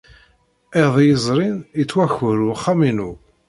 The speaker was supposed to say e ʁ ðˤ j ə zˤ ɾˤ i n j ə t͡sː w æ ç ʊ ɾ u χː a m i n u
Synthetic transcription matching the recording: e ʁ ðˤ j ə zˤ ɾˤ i n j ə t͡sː w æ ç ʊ ɾ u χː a m i n u